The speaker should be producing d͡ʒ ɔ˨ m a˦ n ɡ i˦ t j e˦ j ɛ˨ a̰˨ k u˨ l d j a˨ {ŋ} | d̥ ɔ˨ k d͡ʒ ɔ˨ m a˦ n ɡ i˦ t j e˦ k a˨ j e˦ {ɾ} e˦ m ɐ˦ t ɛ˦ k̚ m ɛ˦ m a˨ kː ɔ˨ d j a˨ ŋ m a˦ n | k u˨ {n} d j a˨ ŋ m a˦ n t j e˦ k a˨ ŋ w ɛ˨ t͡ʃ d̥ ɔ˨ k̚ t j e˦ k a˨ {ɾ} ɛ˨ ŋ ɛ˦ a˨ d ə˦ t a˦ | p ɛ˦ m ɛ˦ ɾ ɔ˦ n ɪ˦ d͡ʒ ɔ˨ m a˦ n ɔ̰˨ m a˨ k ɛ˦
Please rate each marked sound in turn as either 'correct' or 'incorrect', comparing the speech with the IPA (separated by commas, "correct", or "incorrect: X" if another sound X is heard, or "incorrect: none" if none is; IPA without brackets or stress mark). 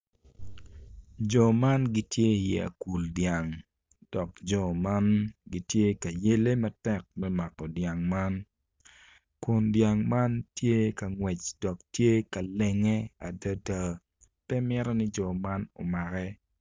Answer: correct, incorrect: l, correct, incorrect: l